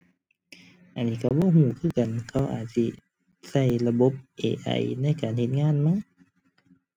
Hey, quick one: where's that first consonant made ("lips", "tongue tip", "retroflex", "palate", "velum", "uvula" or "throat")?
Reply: throat